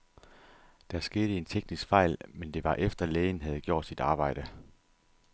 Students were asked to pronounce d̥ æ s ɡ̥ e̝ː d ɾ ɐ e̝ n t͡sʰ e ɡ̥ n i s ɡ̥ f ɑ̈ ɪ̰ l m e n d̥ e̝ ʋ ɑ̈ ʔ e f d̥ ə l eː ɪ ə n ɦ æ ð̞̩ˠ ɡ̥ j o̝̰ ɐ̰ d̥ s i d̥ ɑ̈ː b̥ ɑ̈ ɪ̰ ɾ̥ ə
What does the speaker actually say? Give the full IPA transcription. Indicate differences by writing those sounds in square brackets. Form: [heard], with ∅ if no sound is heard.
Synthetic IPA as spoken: d̥ æ s ɡ̥ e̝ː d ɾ [ə] e̝ n t͡sʰ e ɡ̥ n i s ɡ̥ f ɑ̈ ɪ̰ l m e n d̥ e̝ ʋ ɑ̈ ʔ e f d̥ [ɐ] l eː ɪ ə n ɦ æ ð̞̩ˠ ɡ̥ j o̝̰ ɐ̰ d̥ s i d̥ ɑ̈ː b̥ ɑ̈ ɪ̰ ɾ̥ ə